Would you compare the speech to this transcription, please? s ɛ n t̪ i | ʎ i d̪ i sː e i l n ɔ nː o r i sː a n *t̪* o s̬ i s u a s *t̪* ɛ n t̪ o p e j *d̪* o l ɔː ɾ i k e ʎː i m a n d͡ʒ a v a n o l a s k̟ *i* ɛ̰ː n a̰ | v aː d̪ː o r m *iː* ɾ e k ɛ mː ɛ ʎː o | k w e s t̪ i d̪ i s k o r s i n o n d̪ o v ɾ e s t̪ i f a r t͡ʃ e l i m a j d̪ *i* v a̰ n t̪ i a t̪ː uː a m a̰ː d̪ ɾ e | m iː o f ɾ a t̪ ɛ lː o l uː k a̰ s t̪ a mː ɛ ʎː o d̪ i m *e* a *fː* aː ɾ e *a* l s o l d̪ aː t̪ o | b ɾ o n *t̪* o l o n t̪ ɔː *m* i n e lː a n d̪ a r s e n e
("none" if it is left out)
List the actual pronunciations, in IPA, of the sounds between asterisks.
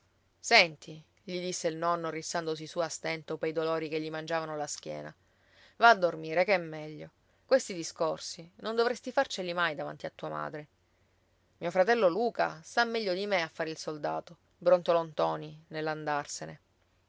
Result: d̪, t̪, d̪, j, iː, a, e, fː, i, t̪, n

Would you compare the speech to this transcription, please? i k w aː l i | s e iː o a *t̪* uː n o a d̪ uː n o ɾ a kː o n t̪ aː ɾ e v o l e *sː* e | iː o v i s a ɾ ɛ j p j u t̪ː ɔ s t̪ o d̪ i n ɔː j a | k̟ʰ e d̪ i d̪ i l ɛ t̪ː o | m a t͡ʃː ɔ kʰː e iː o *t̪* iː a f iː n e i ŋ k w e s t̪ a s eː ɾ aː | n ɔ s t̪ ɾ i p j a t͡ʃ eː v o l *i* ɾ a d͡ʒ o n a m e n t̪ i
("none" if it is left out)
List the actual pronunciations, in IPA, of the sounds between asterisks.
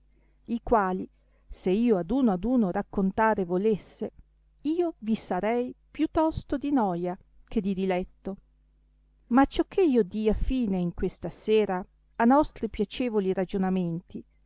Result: d̪, sː, d̪, i

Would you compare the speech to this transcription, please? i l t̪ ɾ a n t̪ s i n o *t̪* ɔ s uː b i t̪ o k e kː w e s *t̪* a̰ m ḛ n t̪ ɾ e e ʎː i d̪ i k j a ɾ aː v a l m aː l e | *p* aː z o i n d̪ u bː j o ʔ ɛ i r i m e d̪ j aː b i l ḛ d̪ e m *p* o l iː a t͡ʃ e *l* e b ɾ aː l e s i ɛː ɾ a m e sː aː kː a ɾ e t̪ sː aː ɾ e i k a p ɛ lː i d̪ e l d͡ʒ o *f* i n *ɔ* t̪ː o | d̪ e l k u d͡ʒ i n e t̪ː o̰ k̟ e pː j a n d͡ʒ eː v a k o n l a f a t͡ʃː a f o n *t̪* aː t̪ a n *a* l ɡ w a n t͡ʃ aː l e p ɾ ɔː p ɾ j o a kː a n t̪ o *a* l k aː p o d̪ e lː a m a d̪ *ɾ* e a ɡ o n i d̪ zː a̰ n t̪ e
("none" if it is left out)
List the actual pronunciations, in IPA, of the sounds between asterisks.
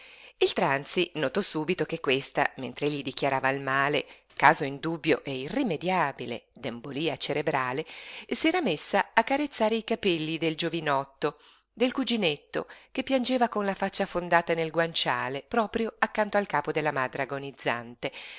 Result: t̪, t̪, k, b, ɾ, v, ɔ, d̪, e, a, ɾ

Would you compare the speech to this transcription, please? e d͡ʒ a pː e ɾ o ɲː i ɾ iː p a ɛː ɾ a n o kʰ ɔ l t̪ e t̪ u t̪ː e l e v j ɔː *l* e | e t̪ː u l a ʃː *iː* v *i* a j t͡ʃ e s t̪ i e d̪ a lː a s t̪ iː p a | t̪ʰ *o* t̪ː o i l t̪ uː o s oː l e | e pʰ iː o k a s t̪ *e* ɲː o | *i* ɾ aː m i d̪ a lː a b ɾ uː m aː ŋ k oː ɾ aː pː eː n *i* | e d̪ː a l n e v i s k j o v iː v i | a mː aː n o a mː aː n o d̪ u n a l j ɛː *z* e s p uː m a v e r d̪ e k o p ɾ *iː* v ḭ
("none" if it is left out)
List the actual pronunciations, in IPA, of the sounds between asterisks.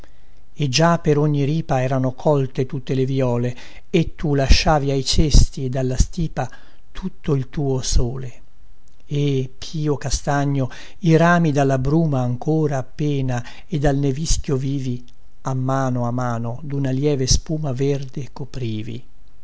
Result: l, aː, i, u, a, i, a, v, iː

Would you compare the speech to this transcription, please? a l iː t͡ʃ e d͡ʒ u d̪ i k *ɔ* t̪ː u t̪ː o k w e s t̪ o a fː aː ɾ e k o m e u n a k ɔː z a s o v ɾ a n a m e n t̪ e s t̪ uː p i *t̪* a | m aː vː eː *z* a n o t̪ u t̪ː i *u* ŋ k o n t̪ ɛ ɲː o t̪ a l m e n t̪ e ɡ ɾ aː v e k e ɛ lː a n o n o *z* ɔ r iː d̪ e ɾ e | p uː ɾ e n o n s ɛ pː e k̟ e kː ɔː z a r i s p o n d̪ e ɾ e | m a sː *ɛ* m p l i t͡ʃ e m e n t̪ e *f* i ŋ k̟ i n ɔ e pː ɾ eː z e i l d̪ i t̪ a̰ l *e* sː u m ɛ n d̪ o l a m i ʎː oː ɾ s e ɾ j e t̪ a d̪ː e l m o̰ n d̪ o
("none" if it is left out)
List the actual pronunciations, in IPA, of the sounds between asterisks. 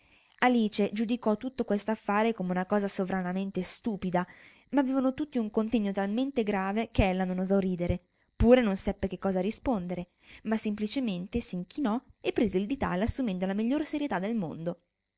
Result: ɔ, d̪, v, u, z, e, s, a

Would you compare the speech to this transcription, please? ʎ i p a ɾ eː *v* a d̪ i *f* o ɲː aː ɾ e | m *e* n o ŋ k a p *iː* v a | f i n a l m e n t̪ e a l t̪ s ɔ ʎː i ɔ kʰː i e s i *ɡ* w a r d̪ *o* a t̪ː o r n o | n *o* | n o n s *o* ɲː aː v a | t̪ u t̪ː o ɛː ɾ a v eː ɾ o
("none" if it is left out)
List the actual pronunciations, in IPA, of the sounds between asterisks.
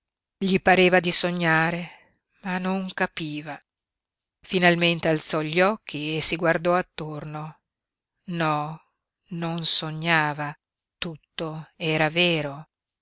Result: v, s, a, iː, ɡ, ɔ, ɔ, o

